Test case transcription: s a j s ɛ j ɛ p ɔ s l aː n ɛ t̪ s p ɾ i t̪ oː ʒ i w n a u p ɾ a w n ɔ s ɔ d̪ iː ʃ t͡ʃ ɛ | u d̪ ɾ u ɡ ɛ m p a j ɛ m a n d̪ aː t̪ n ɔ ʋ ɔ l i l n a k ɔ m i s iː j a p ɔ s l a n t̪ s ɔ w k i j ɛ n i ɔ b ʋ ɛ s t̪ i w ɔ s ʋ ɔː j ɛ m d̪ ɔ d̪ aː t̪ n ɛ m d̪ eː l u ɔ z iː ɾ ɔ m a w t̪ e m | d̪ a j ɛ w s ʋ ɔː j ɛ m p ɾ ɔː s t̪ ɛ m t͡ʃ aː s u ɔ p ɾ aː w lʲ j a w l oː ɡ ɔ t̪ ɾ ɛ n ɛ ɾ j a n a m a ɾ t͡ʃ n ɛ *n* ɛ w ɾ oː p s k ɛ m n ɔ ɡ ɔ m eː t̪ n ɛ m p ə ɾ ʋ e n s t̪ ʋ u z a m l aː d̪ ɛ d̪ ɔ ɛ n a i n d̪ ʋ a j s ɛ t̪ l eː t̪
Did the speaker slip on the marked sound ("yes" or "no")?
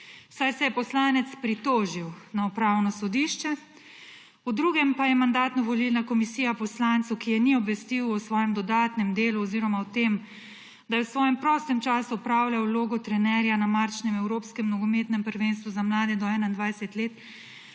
yes